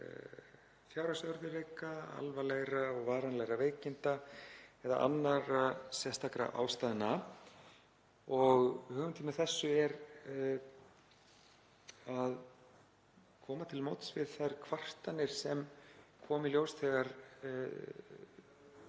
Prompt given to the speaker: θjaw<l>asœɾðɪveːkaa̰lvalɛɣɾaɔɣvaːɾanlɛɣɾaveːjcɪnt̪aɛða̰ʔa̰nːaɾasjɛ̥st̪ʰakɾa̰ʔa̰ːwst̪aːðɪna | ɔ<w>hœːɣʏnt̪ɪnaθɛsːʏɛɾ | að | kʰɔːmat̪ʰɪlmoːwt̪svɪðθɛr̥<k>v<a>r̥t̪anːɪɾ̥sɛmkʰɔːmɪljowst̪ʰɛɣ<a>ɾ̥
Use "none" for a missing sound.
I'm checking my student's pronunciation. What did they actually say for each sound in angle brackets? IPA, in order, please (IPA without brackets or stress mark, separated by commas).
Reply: ɾ, ɣ, kʰ, a, a